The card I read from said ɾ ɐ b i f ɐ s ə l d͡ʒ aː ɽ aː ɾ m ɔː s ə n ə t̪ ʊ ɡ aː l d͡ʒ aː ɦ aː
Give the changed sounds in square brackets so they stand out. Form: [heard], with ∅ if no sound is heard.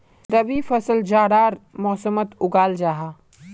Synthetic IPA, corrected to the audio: ɾ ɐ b i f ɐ s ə l d͡ʒ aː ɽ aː ɾ m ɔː s ə [m] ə t̪ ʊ ɡ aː l d͡ʒ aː ɦ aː

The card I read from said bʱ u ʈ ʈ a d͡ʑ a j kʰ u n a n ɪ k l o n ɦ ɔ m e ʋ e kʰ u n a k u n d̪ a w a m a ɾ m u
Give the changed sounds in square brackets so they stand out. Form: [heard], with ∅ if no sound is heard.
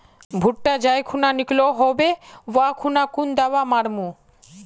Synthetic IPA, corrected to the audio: bʱ u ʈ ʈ a d͡ʑ a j kʰ u n a n [i] k l o [∅] ɦ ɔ [b] e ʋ [a] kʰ u n a k u n d̪ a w a m a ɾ m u

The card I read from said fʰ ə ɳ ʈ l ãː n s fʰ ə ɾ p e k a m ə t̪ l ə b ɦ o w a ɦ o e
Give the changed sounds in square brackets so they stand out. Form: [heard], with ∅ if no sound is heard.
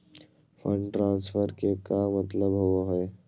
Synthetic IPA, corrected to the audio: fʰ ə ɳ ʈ [ɾ] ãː n s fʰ ə ɾ [k] e k a m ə t̪ l ə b ɦ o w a ɦ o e

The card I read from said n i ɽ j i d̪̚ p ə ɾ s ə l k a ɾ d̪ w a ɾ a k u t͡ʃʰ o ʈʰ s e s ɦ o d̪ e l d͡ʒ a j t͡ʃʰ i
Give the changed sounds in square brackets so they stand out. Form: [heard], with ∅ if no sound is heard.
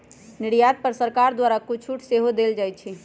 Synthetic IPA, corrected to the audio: n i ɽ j [a] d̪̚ p ə ɾ s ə [ɾ] k a ɾ d̪ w a ɾ a k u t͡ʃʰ [u] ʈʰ s e [∅] ɦ o d̪ e l d͡ʒ a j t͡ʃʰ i

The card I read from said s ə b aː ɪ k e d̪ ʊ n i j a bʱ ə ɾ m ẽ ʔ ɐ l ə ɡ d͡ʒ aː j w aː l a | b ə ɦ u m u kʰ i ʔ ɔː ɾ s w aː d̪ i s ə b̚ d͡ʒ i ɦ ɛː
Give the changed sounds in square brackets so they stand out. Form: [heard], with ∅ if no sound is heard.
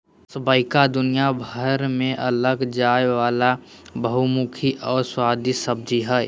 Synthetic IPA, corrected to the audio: s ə b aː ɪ k [a] d̪ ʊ n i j a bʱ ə ɾ m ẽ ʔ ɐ l ə ɡ d͡ʒ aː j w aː l a | b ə ɦ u m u kʰ i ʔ ɔː ɾ s w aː d̪ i s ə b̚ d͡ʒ i ɦ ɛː

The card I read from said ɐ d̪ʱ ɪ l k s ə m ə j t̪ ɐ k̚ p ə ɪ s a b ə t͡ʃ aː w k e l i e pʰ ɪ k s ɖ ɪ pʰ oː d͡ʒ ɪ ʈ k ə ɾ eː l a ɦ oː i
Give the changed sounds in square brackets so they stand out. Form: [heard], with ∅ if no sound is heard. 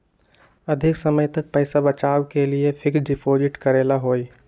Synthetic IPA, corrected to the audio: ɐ d̪ʱ ɪ [∅] k s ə m ə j t̪ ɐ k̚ p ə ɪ s a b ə t͡ʃ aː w k e l i e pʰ ɪ k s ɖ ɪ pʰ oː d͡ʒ ɪ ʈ k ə ɾ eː l a ɦ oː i

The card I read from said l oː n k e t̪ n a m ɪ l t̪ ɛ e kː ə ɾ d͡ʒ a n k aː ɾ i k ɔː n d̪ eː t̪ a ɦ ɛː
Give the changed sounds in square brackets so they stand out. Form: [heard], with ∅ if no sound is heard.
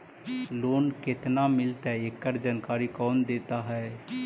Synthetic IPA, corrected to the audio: l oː n k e t̪ n a m ɪ l t̪ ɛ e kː ə ɾ d͡ʒ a n k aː ɾ i k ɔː n d̪ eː t̪ a ɦ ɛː

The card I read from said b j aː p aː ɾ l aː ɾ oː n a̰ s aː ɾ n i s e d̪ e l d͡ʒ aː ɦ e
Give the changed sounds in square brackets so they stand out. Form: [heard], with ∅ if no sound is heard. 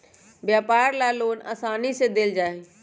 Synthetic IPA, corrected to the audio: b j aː p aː ɾ l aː [l] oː n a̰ s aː [∅] n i s e d̪ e l d͡ʒ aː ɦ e

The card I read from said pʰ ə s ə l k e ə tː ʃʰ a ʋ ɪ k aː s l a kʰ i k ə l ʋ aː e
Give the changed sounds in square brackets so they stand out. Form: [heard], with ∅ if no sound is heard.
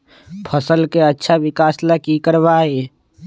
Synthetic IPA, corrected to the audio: pʰ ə s ə l k e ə tː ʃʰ a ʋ ɪ k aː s l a [k] i k ə [ɾ] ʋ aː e

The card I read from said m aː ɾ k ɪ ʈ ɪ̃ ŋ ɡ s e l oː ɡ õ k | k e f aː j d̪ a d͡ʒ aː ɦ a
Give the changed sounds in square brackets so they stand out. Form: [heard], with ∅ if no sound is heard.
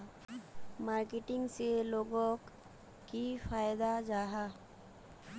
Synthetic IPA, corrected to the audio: m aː ɾ k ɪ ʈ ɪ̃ ŋ ɡ s e l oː ɡ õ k | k [i] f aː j d̪ a d͡ʒ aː ɦ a

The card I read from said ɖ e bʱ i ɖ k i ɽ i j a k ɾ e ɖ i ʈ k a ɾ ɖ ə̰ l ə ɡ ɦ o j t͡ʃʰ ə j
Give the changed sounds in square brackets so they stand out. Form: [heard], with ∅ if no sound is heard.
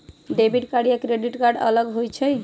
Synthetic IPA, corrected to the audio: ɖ e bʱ i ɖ k [a] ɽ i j a k ɾ e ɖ i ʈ k a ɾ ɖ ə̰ l ə ɡ ɦ o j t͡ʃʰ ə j

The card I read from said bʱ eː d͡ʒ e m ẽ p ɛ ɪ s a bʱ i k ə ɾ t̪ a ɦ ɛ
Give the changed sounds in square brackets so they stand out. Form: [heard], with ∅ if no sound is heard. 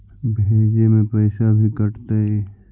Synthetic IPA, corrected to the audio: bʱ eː d͡ʒ e m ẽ p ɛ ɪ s a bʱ i k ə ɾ t̪ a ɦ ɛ

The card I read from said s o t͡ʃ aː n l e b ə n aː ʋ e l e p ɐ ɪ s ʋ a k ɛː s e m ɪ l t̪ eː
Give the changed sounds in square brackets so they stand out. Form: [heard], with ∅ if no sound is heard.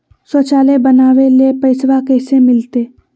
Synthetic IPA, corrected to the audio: s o t͡ʃ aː [∅] l e b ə n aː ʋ e l e p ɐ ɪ s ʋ a k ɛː s e m ɪ l t̪ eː

